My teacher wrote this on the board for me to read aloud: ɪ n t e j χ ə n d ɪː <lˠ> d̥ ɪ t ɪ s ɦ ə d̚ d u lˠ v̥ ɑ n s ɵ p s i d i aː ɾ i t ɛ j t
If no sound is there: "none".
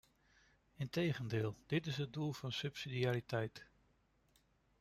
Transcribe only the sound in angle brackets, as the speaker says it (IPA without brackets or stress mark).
lˠ